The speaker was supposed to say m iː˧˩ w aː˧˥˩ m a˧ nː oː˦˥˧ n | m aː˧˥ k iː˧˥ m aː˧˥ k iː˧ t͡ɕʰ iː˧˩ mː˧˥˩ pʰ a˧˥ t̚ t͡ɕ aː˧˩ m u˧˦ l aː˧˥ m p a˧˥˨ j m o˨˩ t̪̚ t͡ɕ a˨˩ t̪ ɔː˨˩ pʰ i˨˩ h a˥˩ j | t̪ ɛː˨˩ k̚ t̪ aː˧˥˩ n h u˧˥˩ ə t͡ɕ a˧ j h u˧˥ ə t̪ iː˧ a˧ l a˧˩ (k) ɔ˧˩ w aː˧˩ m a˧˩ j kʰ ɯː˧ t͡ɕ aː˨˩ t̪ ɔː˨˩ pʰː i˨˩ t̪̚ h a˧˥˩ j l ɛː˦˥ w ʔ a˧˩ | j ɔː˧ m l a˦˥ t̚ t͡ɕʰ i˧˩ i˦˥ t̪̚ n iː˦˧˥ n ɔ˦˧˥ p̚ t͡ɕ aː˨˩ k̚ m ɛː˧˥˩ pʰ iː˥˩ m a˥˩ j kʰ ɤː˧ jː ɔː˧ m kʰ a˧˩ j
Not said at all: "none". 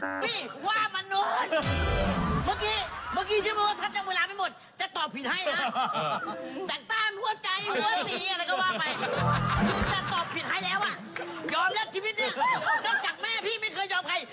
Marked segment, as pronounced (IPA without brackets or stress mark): k